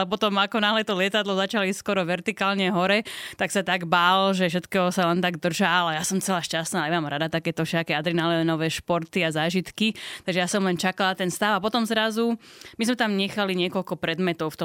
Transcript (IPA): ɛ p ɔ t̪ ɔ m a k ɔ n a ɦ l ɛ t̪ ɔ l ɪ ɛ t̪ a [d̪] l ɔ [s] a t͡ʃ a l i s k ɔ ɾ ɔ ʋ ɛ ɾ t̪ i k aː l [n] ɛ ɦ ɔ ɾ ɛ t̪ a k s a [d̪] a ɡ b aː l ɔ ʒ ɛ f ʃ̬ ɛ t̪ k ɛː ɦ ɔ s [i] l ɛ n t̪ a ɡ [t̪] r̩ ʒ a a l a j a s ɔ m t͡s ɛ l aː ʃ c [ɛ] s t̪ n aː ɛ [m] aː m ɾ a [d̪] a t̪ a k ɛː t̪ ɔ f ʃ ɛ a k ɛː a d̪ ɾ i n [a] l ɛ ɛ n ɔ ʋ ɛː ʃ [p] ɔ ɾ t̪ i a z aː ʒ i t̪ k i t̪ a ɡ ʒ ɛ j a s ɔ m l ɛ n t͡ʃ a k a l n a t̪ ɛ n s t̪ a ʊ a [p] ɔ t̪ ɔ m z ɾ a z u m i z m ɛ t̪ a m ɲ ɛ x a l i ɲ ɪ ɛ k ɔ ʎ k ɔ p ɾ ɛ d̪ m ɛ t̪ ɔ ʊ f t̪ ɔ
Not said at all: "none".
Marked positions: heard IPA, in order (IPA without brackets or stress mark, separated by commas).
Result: d̪, z, ɲ, t̪, a, d̪, a, m, d̪, a, p, p